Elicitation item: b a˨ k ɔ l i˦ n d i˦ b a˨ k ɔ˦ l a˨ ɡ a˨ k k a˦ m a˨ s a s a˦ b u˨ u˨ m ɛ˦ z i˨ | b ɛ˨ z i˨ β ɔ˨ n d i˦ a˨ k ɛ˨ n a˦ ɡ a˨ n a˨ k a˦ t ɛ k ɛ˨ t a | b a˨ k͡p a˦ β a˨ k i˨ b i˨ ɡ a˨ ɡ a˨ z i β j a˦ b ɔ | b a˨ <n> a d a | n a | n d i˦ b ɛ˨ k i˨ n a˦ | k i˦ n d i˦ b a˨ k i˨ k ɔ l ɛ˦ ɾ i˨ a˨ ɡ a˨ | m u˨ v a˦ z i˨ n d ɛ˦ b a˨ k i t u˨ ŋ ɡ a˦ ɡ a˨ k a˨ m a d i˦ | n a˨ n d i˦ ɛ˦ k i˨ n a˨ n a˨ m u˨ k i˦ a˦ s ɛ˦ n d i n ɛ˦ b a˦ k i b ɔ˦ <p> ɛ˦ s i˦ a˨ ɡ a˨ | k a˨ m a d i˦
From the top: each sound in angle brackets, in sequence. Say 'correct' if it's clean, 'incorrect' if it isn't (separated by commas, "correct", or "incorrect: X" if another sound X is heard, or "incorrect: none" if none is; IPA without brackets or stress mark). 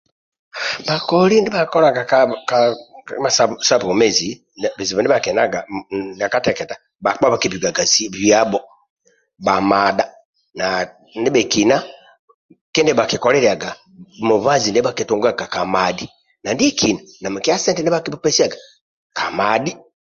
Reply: incorrect: m, correct